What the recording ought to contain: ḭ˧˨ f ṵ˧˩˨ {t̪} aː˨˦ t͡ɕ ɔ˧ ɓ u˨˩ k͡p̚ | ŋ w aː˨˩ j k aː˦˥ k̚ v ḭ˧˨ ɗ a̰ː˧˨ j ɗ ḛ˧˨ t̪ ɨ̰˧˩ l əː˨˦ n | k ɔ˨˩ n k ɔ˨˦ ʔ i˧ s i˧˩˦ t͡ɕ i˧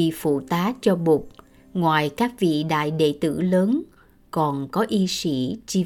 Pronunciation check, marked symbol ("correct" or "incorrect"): correct